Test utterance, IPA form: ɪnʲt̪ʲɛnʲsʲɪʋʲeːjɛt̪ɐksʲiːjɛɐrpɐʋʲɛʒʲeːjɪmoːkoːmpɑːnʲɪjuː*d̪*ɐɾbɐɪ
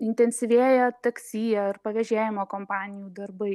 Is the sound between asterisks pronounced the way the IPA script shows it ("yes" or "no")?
yes